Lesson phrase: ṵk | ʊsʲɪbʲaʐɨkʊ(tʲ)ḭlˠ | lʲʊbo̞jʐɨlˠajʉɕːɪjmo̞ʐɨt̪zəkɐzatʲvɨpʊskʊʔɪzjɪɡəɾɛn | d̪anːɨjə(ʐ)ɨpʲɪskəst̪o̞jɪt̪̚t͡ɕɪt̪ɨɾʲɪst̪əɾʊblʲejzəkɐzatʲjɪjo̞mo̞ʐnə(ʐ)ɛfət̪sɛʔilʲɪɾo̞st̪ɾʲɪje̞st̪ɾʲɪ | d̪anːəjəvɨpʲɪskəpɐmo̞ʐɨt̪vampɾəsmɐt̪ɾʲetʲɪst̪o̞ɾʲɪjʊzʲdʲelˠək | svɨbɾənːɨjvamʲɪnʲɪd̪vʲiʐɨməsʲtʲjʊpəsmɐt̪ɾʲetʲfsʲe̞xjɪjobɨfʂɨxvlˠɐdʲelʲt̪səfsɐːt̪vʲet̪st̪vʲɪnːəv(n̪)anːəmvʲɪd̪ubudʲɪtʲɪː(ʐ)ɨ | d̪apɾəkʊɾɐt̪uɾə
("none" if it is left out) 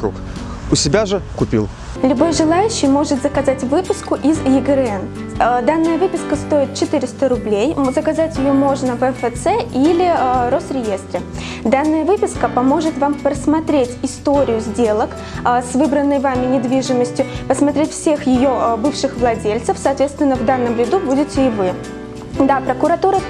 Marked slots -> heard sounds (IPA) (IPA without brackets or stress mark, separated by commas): pʲ, v, v, d̪, v